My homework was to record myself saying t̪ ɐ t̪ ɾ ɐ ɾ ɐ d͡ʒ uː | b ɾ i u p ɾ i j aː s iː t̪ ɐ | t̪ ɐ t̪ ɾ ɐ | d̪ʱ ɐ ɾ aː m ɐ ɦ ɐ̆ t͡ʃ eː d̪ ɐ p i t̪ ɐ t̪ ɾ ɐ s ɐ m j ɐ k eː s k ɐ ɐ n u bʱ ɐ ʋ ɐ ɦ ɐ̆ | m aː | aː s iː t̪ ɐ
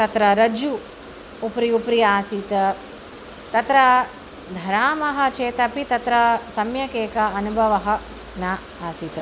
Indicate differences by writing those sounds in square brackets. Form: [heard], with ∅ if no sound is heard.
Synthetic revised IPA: t̪ ɐ t̪ ɾ ɐ ɾ ɐ d͡ʒ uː | [p] ɾ i u p ɾ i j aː s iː t̪ ɐ | t̪ ɐ t̪ ɾ ɐ | d̪ʱ ɐ ɾ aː m ɐ ɦ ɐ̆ t͡ʃ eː [t̪] ɐ p i t̪ ɐ t̪ ɾ ɐ s ɐ m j ɐ k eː [∅] k ɐ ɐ n u bʱ ɐ ʋ ɐ ɦ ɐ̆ | [n] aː | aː s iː t̪ ɐ